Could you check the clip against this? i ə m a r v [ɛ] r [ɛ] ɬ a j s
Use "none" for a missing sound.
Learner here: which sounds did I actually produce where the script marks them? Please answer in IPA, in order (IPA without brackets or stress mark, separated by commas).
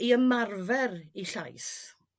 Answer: ɛ, i